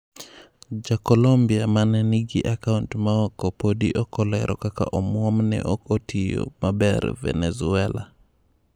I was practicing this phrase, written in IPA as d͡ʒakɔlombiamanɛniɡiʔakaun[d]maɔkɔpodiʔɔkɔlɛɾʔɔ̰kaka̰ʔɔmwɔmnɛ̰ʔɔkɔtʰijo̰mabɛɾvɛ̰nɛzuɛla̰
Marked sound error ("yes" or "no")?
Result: yes